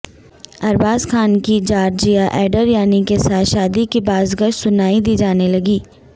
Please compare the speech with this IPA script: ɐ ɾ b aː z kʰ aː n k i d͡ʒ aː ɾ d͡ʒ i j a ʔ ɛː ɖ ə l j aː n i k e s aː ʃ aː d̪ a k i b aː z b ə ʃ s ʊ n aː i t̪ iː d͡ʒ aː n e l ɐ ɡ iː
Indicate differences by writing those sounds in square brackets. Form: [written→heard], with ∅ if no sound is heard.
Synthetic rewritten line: ɐ ɾ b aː z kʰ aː n k i d͡ʒ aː ɾ d͡ʒ i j a ʔ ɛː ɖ ə [l→ɾ] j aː n i k e s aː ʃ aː d̪ [a→i] k i b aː z [b→ɡ] ə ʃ s ʊ n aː i [t̪→d̪] iː d͡ʒ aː n e l ɐ ɡ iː